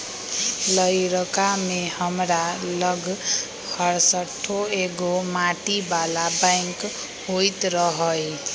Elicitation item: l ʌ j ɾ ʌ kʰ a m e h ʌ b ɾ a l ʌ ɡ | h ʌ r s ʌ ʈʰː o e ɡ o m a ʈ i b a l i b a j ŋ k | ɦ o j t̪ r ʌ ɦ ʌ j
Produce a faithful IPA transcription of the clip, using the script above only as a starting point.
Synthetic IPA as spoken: l ʌ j ɾ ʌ k a m e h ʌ m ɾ a l ʌ ɡ | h ʌ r s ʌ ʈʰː o e ɡ o m a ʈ i b a l a b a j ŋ k | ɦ o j t̪ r ʌ ɦ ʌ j